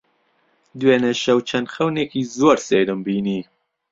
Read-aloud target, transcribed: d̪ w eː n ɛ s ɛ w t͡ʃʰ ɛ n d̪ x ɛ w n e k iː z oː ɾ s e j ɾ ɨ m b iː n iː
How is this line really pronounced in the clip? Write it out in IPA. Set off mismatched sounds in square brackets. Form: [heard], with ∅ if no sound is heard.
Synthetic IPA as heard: d̪ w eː n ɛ [ʃ] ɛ w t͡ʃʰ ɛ n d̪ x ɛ w n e k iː z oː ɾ s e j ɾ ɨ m b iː n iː